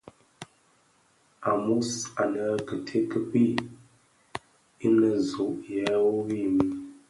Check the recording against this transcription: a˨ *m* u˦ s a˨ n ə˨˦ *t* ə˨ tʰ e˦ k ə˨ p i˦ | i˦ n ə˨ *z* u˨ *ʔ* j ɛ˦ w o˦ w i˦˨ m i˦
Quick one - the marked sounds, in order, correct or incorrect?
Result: correct, incorrect, correct, correct

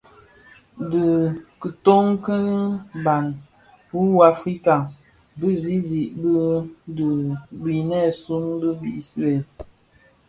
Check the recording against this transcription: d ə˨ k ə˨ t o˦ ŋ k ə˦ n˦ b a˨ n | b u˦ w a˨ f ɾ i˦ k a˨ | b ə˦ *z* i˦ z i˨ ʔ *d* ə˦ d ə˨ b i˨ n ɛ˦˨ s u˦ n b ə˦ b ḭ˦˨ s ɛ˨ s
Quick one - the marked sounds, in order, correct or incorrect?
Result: correct, incorrect

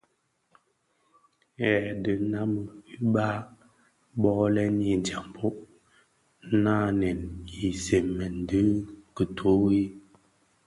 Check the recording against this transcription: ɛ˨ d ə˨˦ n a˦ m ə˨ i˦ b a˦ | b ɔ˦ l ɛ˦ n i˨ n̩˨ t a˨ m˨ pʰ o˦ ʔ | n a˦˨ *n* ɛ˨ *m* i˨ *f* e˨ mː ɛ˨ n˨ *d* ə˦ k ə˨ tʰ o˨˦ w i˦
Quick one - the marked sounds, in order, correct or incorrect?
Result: correct, incorrect, incorrect, correct

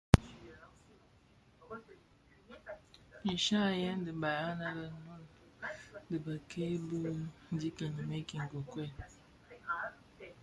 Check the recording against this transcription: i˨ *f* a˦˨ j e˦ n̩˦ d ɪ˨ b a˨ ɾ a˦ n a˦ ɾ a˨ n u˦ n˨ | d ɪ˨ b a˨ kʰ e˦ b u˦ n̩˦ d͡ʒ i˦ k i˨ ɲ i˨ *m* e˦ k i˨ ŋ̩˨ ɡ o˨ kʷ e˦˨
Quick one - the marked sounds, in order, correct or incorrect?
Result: incorrect, correct

